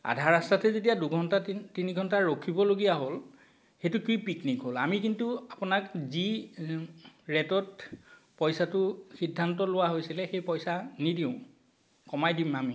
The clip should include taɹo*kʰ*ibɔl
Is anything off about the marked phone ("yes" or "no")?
no